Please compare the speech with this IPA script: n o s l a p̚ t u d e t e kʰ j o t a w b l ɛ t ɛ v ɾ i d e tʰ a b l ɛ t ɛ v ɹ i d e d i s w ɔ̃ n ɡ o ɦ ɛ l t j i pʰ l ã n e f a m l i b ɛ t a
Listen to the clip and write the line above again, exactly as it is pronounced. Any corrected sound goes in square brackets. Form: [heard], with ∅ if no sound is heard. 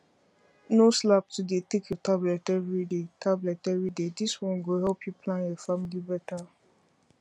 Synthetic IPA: n o s l a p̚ t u d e t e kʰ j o t a [∅] b l ɛ t ɛ v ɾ i d e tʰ a b l ɛ t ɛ v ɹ i d e d i s w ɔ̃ n ɡ o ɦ ɛ l [p] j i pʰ l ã n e f a m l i b ɛ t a